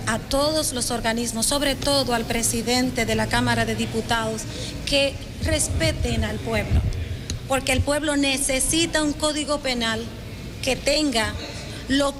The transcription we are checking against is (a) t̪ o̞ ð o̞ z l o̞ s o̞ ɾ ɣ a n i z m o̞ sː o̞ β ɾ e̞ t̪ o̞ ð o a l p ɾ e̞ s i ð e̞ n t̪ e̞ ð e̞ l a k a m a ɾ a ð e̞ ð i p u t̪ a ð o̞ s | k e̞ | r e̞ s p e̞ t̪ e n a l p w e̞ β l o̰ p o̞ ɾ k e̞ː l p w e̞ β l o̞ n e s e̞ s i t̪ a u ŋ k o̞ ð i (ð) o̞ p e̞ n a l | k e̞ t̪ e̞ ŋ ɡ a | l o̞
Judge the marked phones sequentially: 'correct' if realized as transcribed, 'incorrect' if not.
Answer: correct, incorrect: ɣ

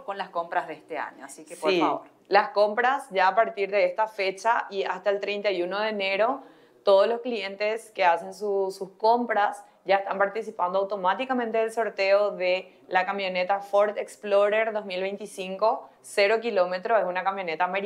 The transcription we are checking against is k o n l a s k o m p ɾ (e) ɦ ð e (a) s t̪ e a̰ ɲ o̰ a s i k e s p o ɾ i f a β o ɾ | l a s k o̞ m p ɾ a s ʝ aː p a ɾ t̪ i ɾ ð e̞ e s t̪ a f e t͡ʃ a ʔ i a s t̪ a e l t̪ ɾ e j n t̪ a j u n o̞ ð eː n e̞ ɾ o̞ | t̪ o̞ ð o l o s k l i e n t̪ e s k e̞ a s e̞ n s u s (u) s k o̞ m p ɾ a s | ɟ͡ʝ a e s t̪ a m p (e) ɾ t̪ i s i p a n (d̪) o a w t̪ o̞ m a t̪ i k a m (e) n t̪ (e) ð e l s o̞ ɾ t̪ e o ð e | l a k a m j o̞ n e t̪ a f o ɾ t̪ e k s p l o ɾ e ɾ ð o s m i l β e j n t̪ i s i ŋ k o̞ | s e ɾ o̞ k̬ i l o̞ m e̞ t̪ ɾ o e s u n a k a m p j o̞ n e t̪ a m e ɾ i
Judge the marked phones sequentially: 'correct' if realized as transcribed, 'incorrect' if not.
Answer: incorrect: a, incorrect: e, correct, incorrect: a, correct, incorrect: ẽ, correct

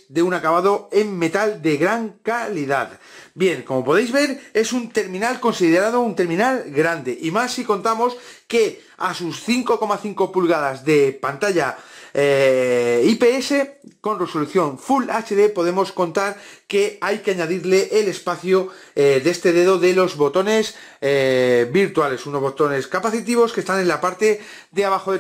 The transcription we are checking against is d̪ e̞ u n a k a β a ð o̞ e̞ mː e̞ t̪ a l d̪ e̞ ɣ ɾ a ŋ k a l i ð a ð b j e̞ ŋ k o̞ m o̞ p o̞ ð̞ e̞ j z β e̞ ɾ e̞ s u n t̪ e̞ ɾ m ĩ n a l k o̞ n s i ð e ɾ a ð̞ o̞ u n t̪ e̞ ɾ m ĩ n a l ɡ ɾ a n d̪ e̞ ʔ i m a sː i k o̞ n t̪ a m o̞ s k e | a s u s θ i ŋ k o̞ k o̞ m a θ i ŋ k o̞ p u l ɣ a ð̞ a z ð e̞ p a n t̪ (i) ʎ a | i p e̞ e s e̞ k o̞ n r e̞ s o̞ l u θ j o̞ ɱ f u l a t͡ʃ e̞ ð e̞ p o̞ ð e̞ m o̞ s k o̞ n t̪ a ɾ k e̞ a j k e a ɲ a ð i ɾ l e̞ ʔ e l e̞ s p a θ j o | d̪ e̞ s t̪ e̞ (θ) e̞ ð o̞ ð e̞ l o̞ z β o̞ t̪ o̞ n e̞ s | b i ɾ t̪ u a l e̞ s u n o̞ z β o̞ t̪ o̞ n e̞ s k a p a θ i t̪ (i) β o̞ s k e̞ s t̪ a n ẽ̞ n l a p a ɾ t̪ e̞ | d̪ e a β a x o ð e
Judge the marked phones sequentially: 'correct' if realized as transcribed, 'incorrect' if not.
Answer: incorrect: a, incorrect: ð, correct

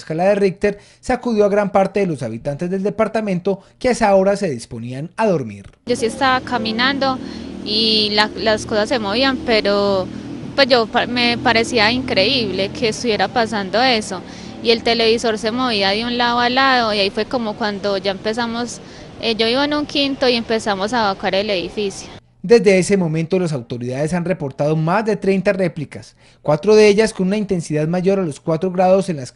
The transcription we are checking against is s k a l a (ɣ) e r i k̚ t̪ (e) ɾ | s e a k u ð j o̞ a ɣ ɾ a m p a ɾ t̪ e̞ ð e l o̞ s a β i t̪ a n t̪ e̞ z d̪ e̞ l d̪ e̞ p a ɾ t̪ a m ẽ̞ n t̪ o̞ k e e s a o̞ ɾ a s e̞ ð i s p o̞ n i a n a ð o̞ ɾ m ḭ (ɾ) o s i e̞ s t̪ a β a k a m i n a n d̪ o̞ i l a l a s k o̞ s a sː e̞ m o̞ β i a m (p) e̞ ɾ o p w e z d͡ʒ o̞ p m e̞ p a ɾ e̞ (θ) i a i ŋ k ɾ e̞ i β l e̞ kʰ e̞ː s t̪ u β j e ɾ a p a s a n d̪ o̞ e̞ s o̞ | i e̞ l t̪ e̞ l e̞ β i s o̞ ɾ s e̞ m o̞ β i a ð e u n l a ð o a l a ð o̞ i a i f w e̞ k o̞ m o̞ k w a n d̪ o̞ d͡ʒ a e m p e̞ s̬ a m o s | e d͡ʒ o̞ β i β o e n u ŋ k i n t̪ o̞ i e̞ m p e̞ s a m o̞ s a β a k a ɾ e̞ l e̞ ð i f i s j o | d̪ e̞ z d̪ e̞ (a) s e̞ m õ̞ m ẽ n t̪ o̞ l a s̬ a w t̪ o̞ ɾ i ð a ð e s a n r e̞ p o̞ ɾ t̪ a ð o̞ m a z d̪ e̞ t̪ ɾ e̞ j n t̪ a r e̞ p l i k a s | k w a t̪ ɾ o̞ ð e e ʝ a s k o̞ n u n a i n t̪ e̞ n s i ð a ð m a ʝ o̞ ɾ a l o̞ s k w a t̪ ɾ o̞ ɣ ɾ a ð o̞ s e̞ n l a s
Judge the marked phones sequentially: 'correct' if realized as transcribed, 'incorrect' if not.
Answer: incorrect: ð, correct, correct, correct, incorrect: s, incorrect: e

